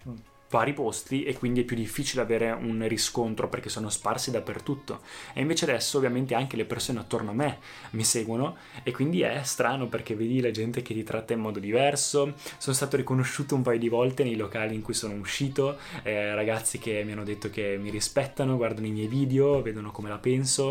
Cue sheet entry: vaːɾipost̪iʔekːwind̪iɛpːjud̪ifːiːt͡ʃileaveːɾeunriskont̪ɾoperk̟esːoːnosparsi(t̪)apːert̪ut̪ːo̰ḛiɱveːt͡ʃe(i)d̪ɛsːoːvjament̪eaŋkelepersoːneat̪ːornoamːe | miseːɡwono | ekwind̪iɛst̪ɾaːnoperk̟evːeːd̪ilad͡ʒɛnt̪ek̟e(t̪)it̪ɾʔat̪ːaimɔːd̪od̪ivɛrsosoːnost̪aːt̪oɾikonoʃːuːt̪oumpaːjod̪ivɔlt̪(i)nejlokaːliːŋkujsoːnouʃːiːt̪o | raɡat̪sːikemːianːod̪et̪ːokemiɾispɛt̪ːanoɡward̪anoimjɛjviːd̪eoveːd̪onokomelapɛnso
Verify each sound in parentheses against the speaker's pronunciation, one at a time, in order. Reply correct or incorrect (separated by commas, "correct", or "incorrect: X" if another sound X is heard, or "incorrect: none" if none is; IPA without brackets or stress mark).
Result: incorrect: d̪, incorrect: a, correct, incorrect: e